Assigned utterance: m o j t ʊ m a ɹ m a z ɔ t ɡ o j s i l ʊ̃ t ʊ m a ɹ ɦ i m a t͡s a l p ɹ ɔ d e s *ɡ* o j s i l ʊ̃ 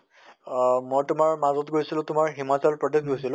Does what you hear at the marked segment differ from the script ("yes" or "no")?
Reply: no